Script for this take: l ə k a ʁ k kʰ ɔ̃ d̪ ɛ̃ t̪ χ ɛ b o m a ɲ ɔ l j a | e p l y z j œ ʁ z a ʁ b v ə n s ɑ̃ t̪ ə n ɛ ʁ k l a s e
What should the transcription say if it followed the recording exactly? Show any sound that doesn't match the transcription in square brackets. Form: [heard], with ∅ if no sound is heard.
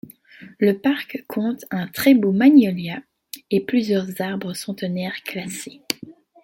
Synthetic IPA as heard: l ə [p] a ʁ k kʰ ɔ̃ [t̪] ɛ̃ t̪ χ ɛ b o m a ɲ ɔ l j a | e p l y z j œ ʁ z a ʁ b [ʁ] ə [∅] s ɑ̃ t̪ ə n ɛ ʁ k l a s e